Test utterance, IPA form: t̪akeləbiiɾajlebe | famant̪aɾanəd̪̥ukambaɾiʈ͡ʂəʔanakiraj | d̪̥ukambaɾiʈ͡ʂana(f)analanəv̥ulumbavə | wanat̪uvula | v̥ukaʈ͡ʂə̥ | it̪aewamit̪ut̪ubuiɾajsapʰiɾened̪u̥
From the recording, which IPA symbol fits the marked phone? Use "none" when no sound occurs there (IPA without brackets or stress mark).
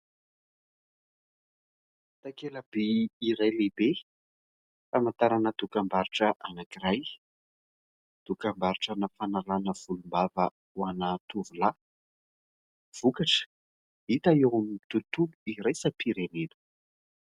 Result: f